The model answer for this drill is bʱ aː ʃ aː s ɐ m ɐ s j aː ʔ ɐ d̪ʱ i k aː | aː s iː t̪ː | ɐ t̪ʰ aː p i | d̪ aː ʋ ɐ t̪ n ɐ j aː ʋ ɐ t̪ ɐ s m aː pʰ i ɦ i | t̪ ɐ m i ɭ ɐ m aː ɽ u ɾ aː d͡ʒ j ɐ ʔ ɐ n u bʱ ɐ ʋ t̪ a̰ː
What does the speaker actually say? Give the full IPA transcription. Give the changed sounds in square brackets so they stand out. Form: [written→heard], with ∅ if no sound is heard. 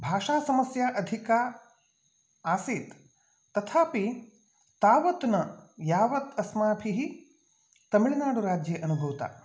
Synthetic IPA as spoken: bʱ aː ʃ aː s ɐ m ɐ s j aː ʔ ɐ d̪ʱ i k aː | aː s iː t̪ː | ɐ t̪ʰ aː p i | [d̪→t̪] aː ʋ ɐ t̪ n ɐ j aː ʋ ɐ t̪ ɐ s m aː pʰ i ɦ i | t̪ ɐ m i ɭ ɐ [m→n] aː ɽ u ɾ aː d͡ʒ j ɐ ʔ ɐ n u bʱ ɐ ʋ t̪ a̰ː